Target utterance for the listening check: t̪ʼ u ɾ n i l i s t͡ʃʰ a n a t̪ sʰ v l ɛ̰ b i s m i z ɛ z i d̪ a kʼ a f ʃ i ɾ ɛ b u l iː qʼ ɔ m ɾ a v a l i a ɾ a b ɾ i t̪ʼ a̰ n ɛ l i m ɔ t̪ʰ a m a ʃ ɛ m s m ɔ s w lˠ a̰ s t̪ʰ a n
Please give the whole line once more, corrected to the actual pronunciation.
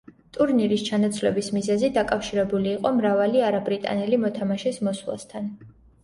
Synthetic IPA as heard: t̪ʼ u ɾ n i ɾ i s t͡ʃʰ a n a t̪ sʰ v l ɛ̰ b i s m i z ɛ z i d̪ a kʼ a f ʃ i ɾ ɛ b u l iː qʼ ɔ m ɾ a v a l i a ɾ a b ɾ i t̪ʼ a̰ n ɛ l i m ɔ t̪ʰ a m a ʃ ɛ s m ɔ s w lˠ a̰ s t̪ʰ a n